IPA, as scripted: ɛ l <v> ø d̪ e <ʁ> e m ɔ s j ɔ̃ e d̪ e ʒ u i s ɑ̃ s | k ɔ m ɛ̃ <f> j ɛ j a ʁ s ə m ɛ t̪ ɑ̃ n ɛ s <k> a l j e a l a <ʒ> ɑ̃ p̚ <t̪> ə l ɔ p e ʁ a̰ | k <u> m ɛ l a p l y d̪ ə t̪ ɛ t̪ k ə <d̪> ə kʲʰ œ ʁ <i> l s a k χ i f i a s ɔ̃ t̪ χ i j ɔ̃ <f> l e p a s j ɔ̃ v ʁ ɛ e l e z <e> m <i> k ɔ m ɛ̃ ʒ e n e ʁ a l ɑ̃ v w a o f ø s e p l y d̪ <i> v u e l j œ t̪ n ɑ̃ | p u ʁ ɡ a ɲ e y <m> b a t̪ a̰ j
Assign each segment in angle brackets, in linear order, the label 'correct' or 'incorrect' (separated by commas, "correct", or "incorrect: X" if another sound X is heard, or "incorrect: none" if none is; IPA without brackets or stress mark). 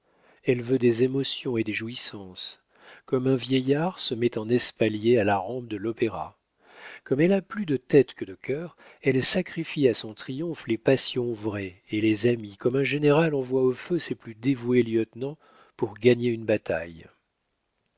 correct, incorrect: z, incorrect: v, incorrect: p, incorrect: ʁ, incorrect: d̪, incorrect: ɔ, correct, incorrect: ɛ, correct, incorrect: a, correct, incorrect: e, incorrect: n